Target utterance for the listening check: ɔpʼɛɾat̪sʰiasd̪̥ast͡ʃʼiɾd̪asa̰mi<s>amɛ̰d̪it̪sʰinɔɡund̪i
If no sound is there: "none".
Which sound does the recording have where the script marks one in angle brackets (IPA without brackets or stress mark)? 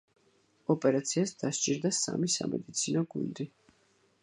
s